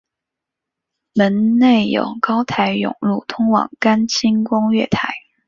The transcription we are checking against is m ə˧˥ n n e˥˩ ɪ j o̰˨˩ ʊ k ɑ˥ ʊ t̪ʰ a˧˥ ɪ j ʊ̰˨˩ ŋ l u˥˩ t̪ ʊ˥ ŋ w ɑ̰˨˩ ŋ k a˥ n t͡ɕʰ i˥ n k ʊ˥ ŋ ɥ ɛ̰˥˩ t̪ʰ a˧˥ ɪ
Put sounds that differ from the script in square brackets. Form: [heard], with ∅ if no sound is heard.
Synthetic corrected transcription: m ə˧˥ n n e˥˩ ɪ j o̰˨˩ ʊ k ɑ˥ ʊ t̪ʰ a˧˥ ɪ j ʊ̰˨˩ ŋ l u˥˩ [t̪ʰ] ʊ˥ ŋ w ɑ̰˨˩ ŋ k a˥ n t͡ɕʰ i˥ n k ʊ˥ ŋ ɥ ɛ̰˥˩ t̪ʰ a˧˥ ɪ